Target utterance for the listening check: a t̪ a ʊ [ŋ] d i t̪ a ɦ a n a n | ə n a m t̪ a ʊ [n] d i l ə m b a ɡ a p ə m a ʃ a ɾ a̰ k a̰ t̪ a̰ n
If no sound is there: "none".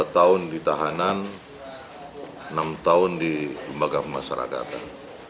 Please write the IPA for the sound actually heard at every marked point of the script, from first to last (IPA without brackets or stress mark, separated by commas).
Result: n, n